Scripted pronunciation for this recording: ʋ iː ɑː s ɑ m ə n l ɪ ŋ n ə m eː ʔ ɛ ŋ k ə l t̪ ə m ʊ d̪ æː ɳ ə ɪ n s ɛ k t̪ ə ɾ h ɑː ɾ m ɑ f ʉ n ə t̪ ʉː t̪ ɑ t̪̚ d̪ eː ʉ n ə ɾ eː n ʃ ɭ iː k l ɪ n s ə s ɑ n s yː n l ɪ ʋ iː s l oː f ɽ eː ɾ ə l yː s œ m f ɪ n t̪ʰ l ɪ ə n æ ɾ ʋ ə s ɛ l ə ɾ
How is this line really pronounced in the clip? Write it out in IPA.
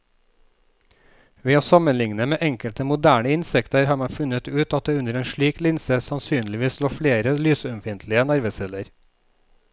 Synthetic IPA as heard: ʋ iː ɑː s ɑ m ə n l ɪ ŋ n ə m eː ʔ ɛ ŋ k ə l t̪ ə m ʊ d̪ æː ɳ ə ɪ n s ɛ k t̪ ə ɾ h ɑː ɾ m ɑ f ʉ n ə t̪ ʉː t̪ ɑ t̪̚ d̪ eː ʉ n ə ɾ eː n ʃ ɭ iː k l ɪ n s ə s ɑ n s yː n l ɪ ʋ iː s l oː f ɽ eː ɾ ə l yː s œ m f ɪ n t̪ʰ l ɪ ə n æ ɾ ʋ ə s ɛ l ə ɾ